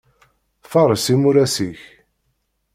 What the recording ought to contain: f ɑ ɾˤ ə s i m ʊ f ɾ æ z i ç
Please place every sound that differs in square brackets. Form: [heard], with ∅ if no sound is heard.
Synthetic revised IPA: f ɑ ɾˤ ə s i m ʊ [∅] ɾ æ [s] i ç